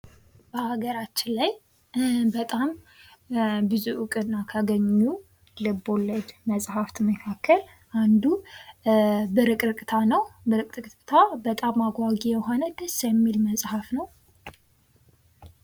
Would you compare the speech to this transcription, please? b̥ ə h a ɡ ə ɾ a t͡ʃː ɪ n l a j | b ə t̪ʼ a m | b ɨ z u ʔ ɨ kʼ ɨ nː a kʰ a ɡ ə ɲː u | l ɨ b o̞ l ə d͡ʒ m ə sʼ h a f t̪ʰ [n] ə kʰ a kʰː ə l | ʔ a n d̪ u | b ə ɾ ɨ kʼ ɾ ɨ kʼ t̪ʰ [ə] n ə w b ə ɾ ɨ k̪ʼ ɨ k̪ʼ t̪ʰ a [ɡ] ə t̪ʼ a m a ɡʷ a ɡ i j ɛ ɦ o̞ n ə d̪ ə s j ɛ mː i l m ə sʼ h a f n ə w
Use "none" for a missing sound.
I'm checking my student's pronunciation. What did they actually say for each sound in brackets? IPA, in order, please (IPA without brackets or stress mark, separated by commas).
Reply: m, a, b